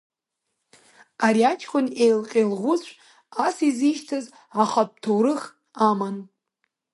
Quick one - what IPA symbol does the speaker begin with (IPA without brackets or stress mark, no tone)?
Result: a